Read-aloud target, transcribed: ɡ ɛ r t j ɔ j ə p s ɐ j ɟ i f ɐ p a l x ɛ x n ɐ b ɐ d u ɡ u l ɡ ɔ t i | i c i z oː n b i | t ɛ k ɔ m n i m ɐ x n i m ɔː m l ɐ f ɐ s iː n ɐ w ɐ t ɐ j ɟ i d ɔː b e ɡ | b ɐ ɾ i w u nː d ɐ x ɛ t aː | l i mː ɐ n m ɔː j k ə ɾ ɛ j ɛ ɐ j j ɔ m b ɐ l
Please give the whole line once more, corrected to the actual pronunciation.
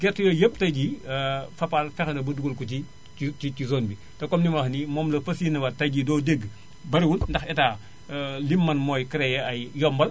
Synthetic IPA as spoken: ɡ ɛ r t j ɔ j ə p t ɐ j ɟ i f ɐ p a l f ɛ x n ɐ b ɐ d u ɡ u l k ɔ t i | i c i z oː n b i | t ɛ k ɔ m n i m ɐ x n i m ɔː m l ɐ f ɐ s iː n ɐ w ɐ t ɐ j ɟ i d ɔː d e ɡ | b ɐ ɾ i w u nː d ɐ x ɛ t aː | l i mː ɐ n m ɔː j k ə ɾ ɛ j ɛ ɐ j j ɔ m b ɐ l

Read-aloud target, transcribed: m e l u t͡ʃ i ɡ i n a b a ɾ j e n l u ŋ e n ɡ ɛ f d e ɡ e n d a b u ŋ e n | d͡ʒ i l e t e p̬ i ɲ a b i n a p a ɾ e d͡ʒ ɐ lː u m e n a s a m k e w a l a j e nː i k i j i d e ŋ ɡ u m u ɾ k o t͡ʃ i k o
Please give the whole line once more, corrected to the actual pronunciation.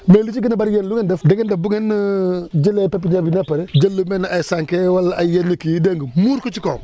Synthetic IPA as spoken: m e l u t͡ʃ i ɡ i n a b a ɾ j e n l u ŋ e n d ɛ f d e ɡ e n d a b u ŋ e n | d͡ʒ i l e p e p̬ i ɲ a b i n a p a ɾ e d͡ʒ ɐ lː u m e n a s a ŋ k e w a l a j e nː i k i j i d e ŋ ɡ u m u ɾ k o t͡ʃ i k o

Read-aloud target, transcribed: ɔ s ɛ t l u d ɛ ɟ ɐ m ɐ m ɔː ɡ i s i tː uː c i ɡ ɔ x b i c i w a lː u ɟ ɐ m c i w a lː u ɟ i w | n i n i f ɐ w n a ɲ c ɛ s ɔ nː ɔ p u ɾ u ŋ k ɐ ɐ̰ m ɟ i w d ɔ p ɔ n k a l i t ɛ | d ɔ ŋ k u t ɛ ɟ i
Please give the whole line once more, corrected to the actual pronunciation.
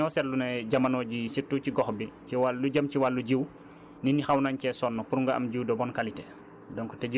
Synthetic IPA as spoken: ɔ s ɛ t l u n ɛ ɟ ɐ m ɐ n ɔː ɟ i s i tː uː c i ɡ ɔ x b i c i w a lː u ɟ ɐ m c i w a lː u ɟ i w | n i n i x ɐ w n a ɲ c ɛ s ɔ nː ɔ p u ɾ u ŋ ɡ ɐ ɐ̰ m ɟ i w d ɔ b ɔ n k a l i t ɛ | d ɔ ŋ k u t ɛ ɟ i

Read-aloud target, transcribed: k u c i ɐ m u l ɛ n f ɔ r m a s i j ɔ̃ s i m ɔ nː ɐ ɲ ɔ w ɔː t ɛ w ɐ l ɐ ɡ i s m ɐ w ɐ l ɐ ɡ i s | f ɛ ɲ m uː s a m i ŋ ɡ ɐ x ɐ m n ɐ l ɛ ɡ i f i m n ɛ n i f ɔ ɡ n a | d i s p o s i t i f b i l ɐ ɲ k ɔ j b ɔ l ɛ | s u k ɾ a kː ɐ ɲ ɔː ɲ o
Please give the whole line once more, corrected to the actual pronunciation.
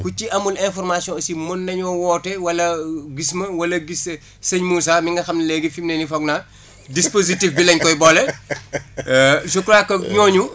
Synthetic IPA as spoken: k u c i ɐ m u l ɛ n f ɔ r m a s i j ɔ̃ s i m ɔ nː ɐ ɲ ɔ w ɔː t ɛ w ɐ l ɐ ɡ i s m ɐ w ɐ l ɐ ɡ i s | s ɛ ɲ m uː s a m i ŋ ɡ ɐ x ɐ m n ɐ l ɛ ɡ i f i m n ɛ n i f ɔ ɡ n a | d i s p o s i t i f b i l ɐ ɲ k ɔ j b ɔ l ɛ | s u k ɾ a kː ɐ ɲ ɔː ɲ u

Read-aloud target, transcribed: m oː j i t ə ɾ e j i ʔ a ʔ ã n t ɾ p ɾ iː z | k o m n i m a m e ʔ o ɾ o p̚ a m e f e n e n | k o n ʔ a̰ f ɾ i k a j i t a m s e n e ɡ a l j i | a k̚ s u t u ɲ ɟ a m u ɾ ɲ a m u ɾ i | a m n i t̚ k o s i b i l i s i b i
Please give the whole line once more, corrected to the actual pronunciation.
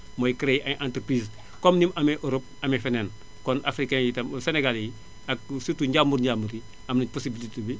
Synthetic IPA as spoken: m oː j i k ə ɾ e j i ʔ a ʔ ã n t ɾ p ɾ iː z | k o m n i m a m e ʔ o ɾ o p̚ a m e f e n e n | k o n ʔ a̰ f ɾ i k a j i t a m s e n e ɡ a l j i | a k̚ s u t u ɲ ɟ a m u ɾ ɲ a m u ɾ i | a m n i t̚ p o s i b i l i t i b i

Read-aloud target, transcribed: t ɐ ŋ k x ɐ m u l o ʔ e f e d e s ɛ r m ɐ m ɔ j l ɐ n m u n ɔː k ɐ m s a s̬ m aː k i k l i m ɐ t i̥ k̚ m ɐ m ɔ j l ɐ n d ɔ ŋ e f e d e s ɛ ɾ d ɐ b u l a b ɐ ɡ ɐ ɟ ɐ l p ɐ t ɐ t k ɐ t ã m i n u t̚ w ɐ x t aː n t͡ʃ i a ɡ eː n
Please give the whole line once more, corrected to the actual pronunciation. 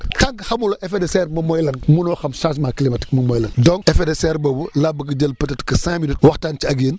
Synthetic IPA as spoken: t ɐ ŋ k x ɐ m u l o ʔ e f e d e s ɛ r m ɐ m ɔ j l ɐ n m u n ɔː x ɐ m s a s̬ m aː k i l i m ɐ t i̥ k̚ m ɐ m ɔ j l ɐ n d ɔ ŋ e f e d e s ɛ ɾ b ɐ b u l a b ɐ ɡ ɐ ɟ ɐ l p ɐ t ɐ t k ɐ s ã m i n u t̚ w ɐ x t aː n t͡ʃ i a ɡ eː n

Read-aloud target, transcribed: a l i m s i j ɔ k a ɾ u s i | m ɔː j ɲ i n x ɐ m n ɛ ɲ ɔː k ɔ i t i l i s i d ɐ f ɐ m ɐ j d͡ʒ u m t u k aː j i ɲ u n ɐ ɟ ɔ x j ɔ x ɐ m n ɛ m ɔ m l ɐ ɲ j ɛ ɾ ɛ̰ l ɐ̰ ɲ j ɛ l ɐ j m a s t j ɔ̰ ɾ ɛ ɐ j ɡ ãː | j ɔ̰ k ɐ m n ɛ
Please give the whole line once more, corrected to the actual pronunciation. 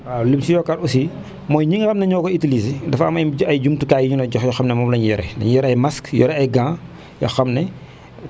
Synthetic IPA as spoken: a l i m s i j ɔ k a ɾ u s i | m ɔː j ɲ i ŋ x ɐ m n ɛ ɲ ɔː k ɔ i t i l i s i d ɐ f ɐ m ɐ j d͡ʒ u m t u k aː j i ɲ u n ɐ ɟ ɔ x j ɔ x ɐ m n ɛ m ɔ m l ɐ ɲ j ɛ ɾ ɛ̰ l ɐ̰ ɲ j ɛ ɾ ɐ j m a s k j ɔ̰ ɾ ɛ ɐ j ɡ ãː | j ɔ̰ x ɐ m n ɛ

